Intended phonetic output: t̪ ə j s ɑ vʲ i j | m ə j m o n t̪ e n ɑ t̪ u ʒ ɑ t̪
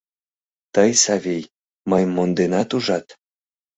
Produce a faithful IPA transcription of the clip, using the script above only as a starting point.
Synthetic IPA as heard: t̪ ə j s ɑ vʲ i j | m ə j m o n d̪ e n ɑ t̪ u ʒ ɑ t̪